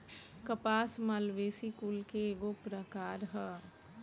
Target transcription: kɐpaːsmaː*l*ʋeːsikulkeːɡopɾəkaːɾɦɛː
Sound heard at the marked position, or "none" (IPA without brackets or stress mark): l